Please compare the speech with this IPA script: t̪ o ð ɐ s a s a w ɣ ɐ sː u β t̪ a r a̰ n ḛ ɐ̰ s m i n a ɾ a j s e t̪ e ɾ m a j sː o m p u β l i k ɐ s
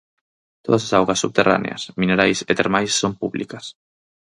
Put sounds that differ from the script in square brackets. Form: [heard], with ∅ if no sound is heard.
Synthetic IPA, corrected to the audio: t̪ o ð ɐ s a s a w ɣ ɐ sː u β t̪ [e] r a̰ n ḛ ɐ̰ s m i n [e] ɾ a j s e t̪ e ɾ m a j sː o m p u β l i k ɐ s